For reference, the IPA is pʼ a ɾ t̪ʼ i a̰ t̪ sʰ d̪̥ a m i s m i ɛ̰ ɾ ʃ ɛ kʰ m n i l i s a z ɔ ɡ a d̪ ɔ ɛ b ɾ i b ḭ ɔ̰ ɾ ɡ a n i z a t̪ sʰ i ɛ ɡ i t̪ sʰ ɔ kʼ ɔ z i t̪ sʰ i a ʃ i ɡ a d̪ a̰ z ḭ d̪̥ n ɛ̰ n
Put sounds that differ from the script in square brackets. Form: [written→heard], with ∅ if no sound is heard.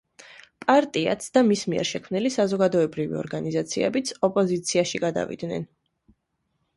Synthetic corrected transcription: pʼ a ɾ t̪ʼ i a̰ t̪ sʰ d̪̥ a m i s m i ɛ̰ ɾ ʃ ɛ kʰ m n i l i s a z ɔ ɡ a d̪ ɔ ɛ b ɾ i [b→v] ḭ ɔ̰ ɾ ɡ a n i z a t̪ sʰ i ɛ [ɡ→b] i t̪ sʰ ɔ [kʼ→pʼ] ɔ z i t̪ sʰ i a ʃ i ɡ a d̪ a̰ [z→v] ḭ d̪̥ n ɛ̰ n